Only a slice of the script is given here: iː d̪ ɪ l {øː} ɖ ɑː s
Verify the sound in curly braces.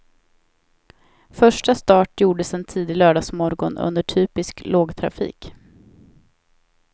incorrect: œː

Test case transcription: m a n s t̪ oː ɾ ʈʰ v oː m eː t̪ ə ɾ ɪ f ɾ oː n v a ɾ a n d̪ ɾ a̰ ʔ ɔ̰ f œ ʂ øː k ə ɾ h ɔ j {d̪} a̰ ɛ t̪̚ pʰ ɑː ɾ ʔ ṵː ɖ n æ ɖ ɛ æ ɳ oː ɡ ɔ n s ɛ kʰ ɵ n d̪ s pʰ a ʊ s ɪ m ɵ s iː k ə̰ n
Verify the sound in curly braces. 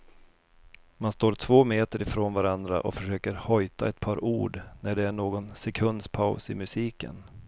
incorrect: t̪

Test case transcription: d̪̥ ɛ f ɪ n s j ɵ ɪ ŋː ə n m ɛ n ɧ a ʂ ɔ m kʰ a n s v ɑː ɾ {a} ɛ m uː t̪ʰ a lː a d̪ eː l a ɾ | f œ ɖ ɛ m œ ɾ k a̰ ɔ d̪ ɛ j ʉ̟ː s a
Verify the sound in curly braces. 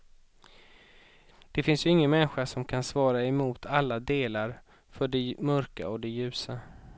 correct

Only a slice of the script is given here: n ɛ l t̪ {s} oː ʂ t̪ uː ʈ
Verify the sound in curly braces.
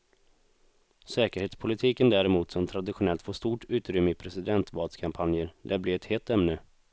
incorrect: f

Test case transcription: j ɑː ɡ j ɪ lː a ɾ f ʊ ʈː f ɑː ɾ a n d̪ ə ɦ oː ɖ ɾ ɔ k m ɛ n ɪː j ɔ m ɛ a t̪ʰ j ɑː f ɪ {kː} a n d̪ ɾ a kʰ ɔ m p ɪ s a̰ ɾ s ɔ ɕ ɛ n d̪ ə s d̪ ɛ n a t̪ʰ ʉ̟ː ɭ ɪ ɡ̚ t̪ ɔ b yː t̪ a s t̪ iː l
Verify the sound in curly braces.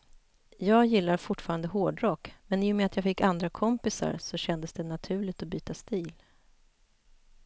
correct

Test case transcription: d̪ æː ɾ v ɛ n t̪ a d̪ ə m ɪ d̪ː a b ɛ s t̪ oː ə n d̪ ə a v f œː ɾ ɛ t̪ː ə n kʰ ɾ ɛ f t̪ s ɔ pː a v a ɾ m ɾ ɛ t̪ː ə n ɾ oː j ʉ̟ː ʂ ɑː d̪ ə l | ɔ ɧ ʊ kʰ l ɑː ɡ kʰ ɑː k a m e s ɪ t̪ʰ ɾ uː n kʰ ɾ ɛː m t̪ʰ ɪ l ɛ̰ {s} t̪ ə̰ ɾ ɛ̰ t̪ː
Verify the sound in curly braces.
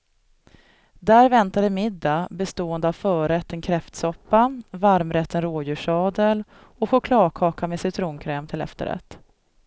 incorrect: f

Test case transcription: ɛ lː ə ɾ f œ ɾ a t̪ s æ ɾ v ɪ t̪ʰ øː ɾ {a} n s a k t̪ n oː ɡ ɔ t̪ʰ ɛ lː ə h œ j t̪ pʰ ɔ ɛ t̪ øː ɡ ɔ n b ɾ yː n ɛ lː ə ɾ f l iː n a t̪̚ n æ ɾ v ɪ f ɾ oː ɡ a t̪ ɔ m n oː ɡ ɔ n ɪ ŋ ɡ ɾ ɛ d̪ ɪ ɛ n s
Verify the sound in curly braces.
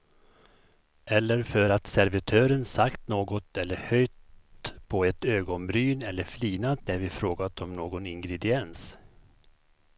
incorrect: ə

